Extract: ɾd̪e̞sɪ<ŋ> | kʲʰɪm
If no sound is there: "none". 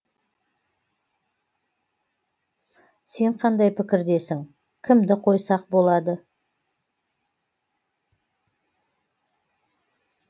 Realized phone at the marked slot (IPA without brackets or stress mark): ŋ